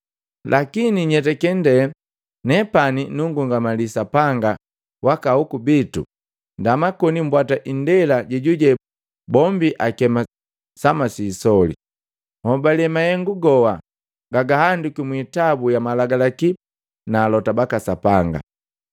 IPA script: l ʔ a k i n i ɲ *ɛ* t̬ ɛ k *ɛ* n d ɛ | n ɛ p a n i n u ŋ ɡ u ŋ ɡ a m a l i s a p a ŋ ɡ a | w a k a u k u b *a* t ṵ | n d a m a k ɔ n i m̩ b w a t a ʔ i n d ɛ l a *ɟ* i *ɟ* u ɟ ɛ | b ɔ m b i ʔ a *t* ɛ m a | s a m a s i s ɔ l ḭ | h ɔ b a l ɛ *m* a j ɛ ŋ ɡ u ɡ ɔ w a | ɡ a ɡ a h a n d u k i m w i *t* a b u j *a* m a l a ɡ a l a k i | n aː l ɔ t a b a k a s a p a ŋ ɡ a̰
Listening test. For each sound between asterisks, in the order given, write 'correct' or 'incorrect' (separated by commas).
correct, correct, incorrect, correct, correct, incorrect, correct, correct, correct